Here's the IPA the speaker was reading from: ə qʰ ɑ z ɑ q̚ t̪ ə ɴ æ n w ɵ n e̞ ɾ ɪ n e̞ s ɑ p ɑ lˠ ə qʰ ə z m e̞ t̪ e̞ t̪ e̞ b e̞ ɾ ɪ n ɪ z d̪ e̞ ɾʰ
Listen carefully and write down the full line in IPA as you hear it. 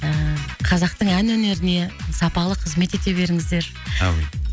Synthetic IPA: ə qʰ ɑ z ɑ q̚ t̪ ə ɴ æ n w ɵ n e̞ ɾ ɪ n e̞ s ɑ p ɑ lˠ ə qʰ ə z m e̞ t̪ e̞ t̪ e̞ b e̞ ɾ ɪ ŋ ɪ z d̪ e̞ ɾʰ